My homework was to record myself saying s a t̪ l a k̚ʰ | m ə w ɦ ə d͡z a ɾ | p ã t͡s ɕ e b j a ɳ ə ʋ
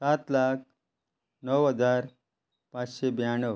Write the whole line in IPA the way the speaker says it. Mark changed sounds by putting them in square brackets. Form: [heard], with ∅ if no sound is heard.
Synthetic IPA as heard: s a t̪ l a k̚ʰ | [n] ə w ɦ ə d͡z a ɾ | p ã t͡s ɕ e b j a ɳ ə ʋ